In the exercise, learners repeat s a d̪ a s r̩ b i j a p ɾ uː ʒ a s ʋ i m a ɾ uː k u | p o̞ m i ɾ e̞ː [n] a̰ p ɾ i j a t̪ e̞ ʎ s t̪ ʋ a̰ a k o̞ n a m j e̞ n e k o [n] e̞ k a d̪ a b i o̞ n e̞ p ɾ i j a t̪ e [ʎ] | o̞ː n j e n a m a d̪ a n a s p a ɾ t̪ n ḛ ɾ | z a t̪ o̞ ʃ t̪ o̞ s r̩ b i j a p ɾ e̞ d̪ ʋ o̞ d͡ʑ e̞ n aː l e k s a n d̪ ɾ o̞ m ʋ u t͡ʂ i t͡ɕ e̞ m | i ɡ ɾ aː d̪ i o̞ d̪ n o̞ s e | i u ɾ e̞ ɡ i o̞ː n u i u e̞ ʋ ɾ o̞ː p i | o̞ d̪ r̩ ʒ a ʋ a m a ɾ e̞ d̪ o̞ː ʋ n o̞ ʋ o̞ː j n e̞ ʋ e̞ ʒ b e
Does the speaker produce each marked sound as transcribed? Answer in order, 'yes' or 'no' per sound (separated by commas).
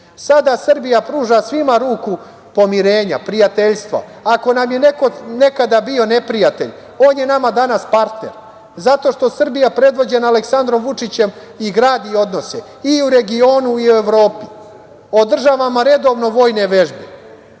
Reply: no, yes, yes